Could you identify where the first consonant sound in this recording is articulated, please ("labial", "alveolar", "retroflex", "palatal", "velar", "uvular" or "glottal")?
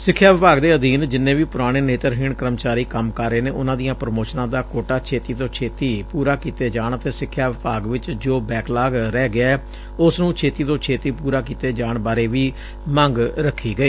alveolar